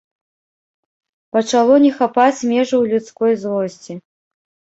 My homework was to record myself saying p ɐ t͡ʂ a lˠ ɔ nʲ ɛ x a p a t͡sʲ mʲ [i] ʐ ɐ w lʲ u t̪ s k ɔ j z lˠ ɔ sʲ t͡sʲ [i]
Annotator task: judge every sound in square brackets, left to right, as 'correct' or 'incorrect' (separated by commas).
incorrect, correct